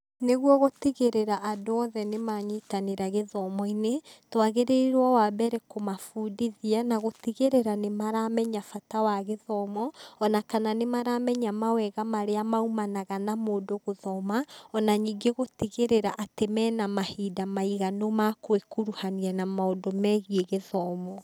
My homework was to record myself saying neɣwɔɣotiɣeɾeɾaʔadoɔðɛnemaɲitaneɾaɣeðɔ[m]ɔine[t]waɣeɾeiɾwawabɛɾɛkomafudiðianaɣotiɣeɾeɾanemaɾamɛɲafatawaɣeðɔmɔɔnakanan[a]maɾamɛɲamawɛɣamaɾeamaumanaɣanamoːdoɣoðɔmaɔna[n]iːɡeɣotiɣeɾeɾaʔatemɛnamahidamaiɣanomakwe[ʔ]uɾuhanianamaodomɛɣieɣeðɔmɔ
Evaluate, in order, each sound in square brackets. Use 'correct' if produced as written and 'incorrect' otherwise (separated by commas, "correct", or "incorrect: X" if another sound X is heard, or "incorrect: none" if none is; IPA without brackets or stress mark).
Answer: correct, correct, incorrect: e, incorrect: ɲ, incorrect: k